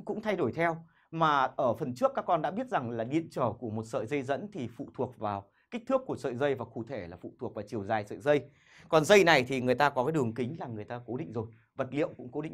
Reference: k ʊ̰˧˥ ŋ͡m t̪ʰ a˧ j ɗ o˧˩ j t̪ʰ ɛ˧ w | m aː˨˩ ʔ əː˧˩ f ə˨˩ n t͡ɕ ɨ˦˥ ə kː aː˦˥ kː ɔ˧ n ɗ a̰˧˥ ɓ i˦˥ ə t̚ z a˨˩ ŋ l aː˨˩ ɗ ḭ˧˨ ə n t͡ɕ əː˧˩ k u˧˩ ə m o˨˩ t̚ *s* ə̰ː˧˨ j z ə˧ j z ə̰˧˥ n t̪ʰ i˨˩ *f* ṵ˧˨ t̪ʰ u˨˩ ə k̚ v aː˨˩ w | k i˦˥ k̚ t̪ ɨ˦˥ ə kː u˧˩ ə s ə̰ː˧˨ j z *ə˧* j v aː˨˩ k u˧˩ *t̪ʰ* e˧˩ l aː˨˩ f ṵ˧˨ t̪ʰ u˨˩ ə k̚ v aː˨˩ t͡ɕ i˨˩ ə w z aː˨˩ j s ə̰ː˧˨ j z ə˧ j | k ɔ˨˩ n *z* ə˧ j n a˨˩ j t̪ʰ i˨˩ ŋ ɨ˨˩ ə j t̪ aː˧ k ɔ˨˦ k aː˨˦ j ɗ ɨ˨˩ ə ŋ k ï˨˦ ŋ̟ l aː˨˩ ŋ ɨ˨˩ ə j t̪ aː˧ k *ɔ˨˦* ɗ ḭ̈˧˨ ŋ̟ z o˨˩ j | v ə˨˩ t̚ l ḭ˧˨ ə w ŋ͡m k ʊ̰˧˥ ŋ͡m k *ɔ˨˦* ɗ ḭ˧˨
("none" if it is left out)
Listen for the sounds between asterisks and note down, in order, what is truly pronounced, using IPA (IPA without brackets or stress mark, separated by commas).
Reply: s, f, ə˧, t̪ʰ, z, o˨˦, o˨˦